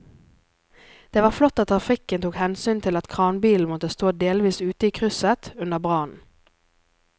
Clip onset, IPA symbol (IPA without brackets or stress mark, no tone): d̪̥